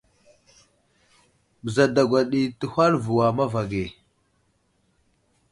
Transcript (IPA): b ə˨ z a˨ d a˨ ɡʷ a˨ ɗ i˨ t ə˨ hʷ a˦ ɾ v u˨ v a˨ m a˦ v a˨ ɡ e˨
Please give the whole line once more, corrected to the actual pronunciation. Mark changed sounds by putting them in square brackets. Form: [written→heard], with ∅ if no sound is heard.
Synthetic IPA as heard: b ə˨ z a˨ d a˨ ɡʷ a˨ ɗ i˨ t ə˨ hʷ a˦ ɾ v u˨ [v→w] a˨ m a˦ v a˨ ɡ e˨